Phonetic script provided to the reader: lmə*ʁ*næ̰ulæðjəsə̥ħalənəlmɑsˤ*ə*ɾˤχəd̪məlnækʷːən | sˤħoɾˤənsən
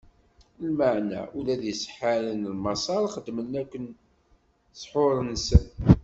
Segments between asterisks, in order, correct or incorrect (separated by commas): incorrect, incorrect